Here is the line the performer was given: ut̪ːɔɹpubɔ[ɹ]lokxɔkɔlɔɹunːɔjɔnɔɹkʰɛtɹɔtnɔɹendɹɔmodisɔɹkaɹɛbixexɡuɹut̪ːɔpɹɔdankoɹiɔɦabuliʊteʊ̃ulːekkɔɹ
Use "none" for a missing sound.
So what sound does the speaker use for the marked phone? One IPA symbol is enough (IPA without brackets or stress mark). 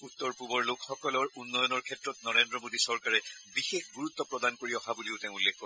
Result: ɹ